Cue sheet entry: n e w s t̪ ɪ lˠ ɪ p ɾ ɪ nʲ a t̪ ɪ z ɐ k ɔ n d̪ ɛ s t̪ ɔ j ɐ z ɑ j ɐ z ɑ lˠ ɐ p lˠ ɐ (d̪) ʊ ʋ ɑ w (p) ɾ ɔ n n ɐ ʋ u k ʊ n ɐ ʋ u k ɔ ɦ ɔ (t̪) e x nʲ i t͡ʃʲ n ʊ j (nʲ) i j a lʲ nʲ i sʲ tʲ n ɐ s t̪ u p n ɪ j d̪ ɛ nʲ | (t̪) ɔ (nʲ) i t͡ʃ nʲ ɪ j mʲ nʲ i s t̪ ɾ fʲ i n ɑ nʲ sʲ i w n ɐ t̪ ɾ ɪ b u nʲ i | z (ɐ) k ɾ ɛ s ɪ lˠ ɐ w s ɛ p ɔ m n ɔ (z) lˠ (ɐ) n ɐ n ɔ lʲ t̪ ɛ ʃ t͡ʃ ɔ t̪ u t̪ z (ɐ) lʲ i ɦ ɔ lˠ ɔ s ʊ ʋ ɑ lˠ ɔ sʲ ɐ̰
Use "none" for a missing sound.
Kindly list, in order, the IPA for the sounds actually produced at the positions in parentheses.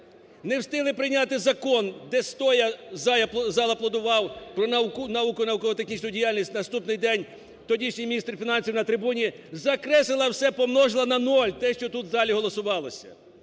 d̪, p, t̪, dʲ, t̪, dʲ, ɐ, ʒ, ɐ, ɑ

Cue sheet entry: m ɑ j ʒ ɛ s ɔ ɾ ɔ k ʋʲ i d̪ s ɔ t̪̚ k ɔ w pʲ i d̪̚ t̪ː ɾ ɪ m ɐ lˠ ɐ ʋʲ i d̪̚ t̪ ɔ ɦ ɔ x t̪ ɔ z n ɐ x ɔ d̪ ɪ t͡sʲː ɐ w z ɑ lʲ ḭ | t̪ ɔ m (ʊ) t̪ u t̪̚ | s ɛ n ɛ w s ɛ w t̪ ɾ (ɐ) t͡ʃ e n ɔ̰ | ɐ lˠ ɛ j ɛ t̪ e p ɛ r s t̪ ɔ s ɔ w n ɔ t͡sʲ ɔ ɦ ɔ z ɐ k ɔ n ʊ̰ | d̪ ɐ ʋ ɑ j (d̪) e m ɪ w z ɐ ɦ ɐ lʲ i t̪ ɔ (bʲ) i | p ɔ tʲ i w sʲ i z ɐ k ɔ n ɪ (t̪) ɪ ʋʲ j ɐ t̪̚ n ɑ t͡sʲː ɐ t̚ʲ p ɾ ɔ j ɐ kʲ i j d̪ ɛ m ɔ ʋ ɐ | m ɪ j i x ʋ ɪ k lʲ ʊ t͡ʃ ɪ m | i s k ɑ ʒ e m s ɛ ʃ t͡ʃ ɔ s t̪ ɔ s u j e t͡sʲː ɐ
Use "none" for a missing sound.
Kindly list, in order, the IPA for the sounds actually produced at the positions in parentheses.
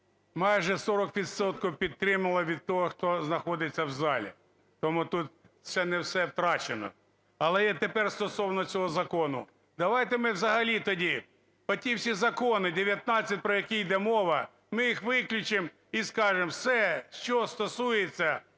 u, ɑ, t̪, dʲ, d̪

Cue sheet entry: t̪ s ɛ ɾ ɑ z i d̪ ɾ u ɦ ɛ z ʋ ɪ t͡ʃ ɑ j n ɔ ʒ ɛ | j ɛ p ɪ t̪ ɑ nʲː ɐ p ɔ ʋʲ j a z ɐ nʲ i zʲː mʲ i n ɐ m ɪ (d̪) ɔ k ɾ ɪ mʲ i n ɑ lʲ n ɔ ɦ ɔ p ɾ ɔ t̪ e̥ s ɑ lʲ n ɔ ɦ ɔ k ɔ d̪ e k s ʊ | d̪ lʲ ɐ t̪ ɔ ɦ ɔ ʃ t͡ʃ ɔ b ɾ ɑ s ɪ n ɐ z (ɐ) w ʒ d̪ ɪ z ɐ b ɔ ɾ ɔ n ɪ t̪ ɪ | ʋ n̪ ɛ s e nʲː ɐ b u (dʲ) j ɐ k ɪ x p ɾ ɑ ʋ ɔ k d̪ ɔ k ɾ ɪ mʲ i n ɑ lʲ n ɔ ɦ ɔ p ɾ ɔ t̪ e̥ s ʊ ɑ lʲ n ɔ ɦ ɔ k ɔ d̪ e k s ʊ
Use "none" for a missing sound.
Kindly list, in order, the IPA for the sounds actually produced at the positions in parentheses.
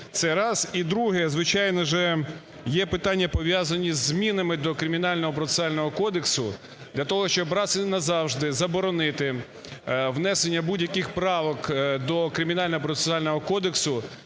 d̪, ɑ, dʲ

